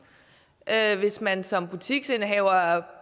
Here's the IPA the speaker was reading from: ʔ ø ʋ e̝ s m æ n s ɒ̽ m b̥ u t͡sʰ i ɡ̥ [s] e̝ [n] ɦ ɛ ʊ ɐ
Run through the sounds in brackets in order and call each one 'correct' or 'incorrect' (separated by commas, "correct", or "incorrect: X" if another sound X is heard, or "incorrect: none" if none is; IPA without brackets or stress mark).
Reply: correct, correct